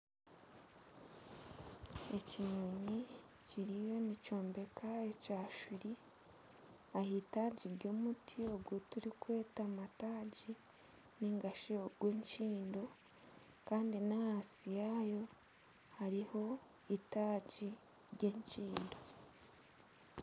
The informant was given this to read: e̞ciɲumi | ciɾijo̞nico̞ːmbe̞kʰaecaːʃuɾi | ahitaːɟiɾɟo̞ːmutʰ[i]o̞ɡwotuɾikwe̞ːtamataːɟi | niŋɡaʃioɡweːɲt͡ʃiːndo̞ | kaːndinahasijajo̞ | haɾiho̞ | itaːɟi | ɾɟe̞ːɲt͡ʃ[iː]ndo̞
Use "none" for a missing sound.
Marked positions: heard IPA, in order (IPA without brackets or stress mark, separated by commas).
i, iː